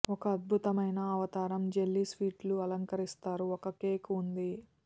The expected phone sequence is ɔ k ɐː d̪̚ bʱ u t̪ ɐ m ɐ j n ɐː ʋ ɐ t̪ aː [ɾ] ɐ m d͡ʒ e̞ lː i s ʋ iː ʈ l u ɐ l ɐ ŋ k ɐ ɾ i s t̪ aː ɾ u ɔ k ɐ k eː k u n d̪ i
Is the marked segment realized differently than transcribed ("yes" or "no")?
no